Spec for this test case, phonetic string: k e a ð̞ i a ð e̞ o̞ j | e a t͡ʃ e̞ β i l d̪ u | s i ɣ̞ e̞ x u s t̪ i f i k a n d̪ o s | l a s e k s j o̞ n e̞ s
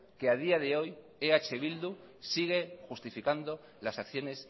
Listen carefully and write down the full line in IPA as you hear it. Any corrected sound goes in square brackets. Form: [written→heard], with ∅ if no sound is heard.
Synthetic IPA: k e a ð̞ i a ð e̞ o̞ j | e a t͡ʃ e̞ β i l d̪ u | s i ɣ̞ e̞ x u s t̪ i f i k a n d̪ o [s→∅] | l a s [e→a] k [s→θ] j o̞ n e̞ s

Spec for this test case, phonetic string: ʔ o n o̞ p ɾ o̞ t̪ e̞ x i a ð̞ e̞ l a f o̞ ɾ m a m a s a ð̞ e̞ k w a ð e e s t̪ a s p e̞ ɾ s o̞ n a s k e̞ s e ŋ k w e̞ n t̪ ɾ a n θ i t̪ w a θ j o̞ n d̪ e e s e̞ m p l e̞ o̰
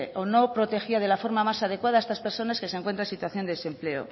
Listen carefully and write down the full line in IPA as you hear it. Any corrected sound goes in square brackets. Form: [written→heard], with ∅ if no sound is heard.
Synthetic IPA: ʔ o n o̞ p ɾ o̞ t̪ e̞ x i a ð̞ e̞ l a f o̞ ɾ m a m a s a ð̞ e̞ k w a ð [e→a] e s t̪ a s p e̞ ɾ s o̞ n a s k e̞ s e ŋ k w e̞ n t̪ ɾ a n [θ→s] i t̪ w a θ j o̞ n d̪ e e s e̞ m p l e̞ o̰

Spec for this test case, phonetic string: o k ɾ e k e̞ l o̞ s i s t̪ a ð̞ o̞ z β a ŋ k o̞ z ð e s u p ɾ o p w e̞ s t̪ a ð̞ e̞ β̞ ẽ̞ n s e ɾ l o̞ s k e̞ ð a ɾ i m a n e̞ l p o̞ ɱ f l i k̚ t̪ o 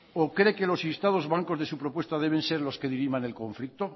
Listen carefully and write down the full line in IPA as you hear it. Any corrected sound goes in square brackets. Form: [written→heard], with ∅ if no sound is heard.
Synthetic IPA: o k ɾ e k e̞ l o̞ s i s t̪ a ð̞ o̞ z β a ŋ k o̞ z ð e s u p ɾ o p w e̞ s t̪ a ð̞ e̞ β̞ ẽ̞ n s e ɾ l o̞ s k e̞ ð [a→i] ɾ i m a n e̞ l [p→k] o̞ ɱ f l i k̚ t̪ o

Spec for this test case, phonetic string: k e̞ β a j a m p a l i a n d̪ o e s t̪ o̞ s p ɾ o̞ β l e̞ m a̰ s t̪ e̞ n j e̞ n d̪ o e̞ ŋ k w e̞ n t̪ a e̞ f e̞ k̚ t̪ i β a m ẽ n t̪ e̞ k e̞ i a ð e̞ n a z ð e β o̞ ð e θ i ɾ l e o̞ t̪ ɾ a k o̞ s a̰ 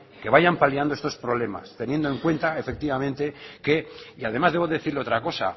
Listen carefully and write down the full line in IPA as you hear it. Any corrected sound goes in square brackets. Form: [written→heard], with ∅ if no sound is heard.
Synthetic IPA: k e̞ β a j a m p a l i a n d̪ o e s t̪ o̞ s p ɾ o̞ β l e̞ m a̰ s t̪ e̞ n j e̞ n d̪ o e̞ ŋ k w e̞ n t̪ a e̞ f e̞ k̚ t̪ i β a m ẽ n t̪ e̞ k e̞ i a ð e̞ [n→m] a z ð e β o̞ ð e θ i ɾ l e o̞ t̪ ɾ a k o̞ s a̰

